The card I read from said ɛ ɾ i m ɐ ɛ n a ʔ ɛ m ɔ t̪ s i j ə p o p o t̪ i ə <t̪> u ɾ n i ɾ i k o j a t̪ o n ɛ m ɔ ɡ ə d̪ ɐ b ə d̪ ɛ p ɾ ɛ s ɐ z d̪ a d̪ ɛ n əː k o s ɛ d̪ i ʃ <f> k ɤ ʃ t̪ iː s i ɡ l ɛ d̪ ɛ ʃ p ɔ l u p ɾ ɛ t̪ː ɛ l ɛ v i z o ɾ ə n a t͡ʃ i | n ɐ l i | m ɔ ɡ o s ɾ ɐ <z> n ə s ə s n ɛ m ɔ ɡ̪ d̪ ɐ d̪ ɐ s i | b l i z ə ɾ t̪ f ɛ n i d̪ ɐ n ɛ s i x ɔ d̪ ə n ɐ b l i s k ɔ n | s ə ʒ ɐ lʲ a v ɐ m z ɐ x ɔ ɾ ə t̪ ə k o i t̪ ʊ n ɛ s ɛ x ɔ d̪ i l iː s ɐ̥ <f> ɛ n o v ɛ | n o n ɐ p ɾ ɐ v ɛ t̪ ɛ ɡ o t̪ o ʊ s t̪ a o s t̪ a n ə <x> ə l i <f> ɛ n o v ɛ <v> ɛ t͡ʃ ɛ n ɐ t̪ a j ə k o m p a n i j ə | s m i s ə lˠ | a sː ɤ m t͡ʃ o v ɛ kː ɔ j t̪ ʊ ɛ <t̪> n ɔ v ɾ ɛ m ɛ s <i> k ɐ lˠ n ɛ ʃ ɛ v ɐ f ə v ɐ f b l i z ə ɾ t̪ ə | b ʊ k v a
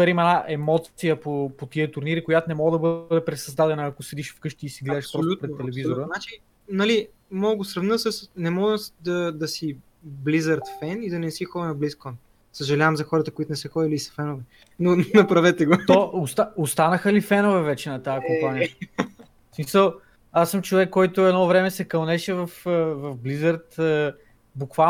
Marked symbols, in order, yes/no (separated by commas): yes, yes, no, yes, yes, yes, yes, no, no